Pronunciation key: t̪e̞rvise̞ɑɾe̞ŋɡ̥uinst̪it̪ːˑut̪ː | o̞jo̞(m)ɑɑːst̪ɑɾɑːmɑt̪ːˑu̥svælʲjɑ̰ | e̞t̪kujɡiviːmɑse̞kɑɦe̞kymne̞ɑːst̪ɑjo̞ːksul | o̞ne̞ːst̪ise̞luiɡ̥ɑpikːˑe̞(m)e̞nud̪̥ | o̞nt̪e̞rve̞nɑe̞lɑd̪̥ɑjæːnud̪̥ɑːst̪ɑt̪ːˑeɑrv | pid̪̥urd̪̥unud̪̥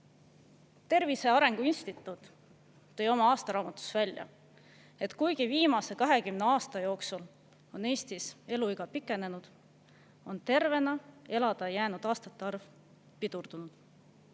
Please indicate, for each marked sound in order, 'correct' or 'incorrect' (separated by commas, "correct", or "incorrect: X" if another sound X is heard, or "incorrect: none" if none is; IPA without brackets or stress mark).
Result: correct, incorrect: n